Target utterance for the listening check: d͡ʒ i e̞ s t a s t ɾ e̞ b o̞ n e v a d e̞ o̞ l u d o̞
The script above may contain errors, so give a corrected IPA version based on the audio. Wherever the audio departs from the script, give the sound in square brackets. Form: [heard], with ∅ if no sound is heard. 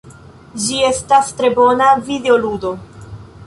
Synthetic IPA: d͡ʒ i e̞ s t a s t ɾ e̞ b o̞ n [a] v [i] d e̞ o̞ l u d o̞